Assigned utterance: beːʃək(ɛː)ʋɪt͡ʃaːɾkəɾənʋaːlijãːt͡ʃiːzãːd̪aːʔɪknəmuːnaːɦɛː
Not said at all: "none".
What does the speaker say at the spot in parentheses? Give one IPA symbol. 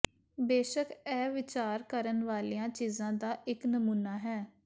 ɛː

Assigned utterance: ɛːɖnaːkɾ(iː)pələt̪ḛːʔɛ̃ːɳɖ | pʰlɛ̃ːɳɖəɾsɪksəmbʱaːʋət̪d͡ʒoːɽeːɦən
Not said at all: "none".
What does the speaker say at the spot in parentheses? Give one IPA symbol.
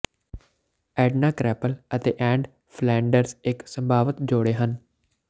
ɛː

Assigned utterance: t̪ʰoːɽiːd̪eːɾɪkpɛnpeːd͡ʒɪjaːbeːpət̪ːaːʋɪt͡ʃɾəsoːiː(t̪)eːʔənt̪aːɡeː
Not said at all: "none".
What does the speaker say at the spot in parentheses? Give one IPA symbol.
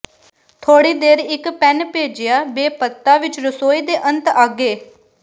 d̪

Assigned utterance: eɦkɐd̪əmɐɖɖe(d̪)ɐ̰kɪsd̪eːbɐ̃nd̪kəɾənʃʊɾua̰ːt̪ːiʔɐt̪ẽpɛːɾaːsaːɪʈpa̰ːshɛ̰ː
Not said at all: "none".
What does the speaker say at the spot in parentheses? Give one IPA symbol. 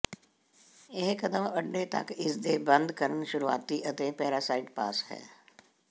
t̪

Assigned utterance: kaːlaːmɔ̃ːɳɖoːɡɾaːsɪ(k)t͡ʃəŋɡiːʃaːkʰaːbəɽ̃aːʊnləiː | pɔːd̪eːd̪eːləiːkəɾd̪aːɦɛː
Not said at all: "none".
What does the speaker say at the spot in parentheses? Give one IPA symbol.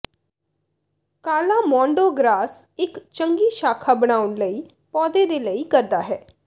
k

